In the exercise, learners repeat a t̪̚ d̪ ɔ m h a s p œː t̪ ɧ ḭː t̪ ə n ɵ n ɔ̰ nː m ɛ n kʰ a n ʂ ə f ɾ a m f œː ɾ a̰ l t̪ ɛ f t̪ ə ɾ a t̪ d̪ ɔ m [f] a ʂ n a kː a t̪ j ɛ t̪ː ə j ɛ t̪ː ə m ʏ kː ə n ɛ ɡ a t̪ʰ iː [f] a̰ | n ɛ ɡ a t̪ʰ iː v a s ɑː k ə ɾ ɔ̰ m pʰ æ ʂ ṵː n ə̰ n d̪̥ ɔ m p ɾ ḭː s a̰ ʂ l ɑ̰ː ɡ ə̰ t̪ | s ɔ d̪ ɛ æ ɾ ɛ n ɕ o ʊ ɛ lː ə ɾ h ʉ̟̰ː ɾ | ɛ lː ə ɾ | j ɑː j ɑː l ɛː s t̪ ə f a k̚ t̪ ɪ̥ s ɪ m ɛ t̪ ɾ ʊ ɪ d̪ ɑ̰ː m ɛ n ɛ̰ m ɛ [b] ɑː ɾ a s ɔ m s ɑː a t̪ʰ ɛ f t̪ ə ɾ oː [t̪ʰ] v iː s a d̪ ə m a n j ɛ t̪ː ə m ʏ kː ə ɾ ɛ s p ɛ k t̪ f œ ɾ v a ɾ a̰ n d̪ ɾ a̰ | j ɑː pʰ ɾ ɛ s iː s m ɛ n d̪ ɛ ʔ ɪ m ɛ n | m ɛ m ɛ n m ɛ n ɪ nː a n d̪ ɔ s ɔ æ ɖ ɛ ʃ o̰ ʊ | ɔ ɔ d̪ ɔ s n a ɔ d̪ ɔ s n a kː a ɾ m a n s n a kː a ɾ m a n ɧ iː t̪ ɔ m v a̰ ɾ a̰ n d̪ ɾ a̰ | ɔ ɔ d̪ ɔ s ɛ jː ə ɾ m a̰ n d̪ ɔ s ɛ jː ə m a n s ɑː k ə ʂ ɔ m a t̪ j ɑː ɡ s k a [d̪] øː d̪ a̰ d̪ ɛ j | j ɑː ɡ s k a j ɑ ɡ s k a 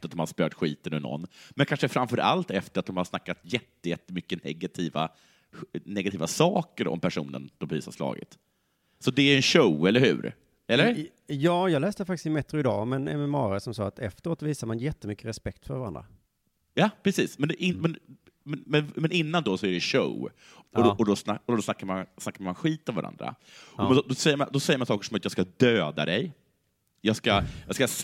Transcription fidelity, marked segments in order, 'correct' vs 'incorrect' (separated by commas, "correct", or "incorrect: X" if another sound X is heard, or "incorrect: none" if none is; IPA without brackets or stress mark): incorrect: h, incorrect: v, incorrect: m, incorrect: t̪, correct